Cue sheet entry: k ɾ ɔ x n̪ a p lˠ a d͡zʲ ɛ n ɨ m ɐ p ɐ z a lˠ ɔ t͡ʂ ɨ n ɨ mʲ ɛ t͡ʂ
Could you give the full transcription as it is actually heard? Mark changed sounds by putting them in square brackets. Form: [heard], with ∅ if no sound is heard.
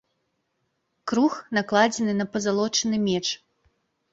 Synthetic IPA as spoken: k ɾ [u] x n̪ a [k] lˠ a d͡zʲ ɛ n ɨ [n] ɐ p ɐ z a lˠ ɔ t͡ʂ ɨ n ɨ mʲ ɛ t͡ʂ